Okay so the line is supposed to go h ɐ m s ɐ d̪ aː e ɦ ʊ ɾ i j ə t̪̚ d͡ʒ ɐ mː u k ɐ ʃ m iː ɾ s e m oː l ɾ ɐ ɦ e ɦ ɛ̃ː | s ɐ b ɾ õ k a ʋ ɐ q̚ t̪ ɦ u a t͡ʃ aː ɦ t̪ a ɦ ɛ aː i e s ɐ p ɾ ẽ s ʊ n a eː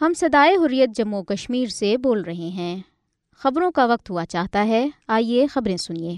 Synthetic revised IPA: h ɐ m s ɐ d̪ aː e ɦ ʊ ɾ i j ə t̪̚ d͡ʒ ɐ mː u k ɐ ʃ m iː ɾ s e b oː l ɾ ɐ ɦ e ɦ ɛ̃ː | x ɐ b ɾ õ k a ʋ ɐ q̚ t̪ ɦ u a t͡ʃ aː ɦ t̪ a ɦ ɛ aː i e x ɐ b ɾ ẽ s ʊ n i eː